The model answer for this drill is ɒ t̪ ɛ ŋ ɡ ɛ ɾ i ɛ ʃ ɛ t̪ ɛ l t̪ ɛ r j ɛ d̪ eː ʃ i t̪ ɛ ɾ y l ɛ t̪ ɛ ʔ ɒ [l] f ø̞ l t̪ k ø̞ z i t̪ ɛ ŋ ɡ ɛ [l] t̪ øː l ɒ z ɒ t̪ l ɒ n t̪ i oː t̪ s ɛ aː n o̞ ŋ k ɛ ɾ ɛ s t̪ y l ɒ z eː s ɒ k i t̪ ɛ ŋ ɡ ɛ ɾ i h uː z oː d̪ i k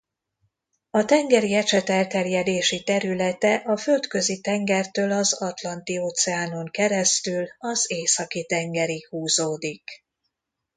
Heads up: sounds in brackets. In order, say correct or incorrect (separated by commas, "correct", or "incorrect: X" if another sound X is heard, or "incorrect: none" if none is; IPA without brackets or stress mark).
incorrect: none, incorrect: r